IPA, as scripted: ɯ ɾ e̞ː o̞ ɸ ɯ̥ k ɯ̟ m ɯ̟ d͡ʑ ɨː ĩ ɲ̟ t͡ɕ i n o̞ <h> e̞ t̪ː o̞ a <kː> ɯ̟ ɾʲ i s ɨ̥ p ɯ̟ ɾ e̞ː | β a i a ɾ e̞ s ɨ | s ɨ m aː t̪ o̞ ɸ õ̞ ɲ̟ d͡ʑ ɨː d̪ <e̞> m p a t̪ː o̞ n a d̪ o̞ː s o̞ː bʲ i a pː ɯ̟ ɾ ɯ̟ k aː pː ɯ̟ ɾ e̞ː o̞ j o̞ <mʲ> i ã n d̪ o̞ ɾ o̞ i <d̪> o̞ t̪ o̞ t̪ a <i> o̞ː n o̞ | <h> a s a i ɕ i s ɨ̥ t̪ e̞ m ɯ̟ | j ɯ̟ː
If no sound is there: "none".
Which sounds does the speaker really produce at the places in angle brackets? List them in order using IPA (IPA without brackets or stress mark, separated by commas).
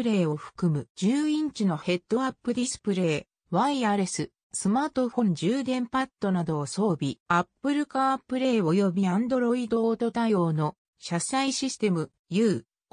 h, pː, ẽ̞, bʲ, d̪, j, ɕ